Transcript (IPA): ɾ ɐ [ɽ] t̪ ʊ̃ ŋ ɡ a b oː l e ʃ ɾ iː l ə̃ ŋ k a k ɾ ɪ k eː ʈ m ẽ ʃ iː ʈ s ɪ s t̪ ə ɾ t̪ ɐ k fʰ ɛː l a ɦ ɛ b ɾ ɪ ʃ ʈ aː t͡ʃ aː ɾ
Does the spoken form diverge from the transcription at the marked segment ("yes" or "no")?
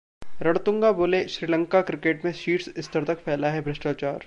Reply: no